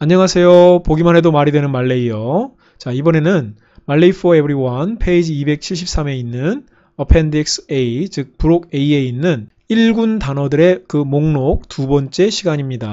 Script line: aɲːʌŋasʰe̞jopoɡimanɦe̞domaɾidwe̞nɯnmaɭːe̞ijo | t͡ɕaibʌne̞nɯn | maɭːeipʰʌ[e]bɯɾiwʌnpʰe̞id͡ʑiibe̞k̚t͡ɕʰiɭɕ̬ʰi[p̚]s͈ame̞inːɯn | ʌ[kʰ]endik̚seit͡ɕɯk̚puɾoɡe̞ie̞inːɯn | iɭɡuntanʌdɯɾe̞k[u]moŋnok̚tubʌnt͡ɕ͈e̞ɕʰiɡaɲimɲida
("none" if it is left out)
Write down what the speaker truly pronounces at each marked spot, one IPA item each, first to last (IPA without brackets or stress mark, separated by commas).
e, p̚, pʰ, ɯ